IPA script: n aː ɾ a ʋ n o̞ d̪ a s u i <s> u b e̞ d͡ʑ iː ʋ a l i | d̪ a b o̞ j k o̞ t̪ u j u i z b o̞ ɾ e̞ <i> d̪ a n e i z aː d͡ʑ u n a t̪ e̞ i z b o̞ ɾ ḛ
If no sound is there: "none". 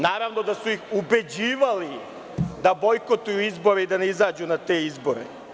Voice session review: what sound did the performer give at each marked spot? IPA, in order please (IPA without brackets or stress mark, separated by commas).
x, i